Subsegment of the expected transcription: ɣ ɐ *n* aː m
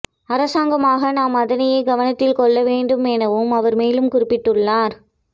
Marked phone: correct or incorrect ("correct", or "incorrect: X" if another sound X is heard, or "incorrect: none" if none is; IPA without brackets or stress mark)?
correct